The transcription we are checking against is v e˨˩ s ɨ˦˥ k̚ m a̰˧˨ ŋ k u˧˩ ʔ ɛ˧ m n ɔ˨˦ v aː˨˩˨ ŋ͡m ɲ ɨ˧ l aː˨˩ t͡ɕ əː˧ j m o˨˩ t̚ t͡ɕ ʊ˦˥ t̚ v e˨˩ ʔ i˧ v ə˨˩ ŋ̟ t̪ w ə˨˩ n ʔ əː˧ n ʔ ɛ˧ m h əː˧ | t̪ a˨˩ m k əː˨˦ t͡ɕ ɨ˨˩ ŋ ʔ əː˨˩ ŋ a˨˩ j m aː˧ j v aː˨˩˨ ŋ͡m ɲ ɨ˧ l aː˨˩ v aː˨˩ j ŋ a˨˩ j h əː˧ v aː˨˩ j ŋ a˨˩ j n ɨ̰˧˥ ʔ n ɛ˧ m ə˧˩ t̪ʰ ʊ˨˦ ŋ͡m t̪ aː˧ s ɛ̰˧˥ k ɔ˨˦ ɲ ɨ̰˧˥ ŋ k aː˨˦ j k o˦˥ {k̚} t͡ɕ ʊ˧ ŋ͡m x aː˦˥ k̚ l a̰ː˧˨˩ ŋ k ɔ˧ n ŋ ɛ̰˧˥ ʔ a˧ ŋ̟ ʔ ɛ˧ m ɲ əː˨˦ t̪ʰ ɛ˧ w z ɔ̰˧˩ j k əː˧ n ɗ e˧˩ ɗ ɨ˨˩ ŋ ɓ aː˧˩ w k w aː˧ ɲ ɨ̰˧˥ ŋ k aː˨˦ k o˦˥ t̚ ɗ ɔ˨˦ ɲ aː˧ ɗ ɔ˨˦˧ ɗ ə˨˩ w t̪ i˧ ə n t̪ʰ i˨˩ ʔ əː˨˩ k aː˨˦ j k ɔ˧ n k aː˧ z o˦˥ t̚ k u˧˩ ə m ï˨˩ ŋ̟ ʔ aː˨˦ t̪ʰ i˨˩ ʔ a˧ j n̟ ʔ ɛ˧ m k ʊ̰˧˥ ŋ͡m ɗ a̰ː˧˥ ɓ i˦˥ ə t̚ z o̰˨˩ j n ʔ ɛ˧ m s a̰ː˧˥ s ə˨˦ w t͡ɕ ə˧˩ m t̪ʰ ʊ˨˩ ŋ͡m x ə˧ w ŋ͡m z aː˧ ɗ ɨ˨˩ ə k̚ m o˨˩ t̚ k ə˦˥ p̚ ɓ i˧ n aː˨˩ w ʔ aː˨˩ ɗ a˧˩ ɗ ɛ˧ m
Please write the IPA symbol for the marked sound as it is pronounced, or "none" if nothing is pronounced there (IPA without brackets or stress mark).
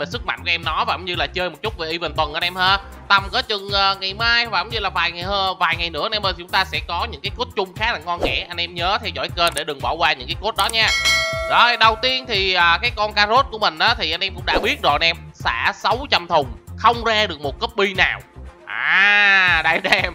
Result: t̚